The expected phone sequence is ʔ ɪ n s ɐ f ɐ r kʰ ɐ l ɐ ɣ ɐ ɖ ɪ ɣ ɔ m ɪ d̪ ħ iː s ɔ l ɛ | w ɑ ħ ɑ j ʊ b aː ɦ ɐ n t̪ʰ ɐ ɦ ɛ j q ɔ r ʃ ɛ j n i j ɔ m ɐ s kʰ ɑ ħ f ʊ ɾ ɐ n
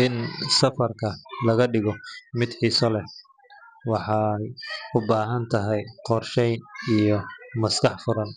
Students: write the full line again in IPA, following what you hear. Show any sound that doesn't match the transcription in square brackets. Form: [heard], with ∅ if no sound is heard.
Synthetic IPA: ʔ ɪ n s ɐ f ɐ r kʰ ɐ l ɐ ɣ ɐ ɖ ɪ ɣ ɔ m ɪ d̪ ħ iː s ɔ l ɛ | w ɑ ħ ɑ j ʊ b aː ɦ ɐ n t̪ʰ ɐ ɦ ɛ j q ɔ r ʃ ɛ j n i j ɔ m ɐ s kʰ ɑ ħ f ʊ ɾ ɐ n